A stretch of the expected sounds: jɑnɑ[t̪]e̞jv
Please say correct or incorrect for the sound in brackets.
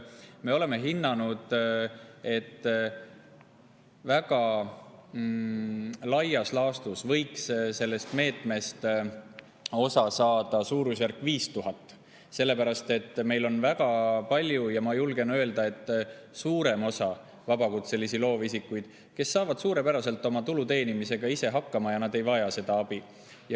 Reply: incorrect